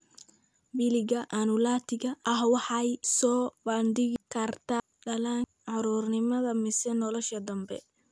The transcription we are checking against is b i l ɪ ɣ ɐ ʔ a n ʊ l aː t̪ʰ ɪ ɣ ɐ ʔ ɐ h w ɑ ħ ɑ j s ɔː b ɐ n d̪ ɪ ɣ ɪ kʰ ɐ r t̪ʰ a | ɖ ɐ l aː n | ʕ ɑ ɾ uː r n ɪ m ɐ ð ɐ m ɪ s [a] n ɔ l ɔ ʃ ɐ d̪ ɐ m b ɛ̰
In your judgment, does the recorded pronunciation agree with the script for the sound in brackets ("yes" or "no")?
no